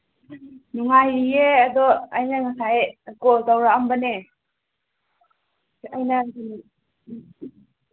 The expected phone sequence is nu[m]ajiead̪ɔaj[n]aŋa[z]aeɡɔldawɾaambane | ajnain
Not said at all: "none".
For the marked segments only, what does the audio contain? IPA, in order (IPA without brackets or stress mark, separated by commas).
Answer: ŋ, n, s